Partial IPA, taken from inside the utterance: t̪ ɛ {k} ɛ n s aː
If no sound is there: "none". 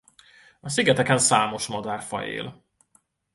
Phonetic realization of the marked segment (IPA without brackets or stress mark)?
k